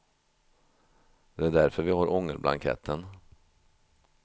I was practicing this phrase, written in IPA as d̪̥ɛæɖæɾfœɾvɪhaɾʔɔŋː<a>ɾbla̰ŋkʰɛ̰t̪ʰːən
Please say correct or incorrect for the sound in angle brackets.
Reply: incorrect